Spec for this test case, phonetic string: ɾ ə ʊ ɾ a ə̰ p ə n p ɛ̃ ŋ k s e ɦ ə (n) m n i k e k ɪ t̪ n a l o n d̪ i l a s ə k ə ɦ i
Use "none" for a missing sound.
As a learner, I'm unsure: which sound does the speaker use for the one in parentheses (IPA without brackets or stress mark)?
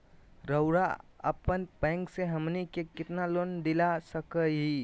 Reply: none